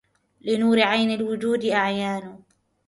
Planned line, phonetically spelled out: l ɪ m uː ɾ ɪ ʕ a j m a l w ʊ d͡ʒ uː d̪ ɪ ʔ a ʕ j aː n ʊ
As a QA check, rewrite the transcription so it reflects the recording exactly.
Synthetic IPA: l ɪ n uː ɾ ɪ ʕ a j n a l w ʊ d͡ʒ uː d̪ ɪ ʔ a ʕ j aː n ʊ